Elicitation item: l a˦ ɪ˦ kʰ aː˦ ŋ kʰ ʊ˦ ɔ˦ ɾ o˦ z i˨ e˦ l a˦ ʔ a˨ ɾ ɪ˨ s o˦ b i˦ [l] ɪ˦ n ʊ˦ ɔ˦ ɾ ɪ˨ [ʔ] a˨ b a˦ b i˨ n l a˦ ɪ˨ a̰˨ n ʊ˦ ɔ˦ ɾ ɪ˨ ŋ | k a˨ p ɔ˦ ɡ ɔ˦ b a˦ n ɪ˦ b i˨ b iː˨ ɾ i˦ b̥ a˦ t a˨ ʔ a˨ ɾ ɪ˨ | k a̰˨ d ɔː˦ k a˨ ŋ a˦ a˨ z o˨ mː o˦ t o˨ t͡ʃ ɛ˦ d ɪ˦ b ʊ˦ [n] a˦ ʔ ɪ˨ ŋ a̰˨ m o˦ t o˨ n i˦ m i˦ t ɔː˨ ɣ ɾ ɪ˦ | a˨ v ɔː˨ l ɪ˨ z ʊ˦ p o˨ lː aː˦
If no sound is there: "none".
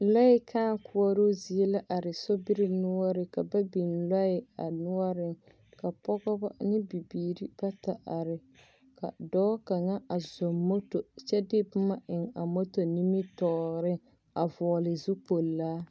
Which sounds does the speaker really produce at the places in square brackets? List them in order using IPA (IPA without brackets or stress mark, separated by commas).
ɾ, k, m